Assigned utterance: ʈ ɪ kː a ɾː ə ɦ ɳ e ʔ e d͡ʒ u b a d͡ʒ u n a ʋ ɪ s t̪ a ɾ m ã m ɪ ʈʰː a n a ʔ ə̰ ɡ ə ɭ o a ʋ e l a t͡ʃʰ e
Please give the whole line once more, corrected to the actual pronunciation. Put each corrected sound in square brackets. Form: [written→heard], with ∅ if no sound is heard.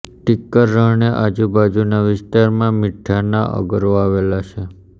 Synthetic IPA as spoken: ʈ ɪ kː [a→ə] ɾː ə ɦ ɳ e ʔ [e→a] d͡ʒ u b a d͡ʒ u n a ʋ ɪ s t̪ a ɾ m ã m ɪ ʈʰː a n a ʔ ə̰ ɡ ə [ɭ→ɾ] o a ʋ e l a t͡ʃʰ e